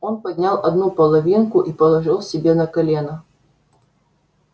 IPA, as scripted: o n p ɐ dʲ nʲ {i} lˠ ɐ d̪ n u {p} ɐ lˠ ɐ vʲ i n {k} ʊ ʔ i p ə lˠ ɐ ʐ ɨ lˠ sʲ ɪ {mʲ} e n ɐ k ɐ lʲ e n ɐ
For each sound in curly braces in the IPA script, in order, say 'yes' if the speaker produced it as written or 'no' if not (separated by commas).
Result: no, yes, yes, no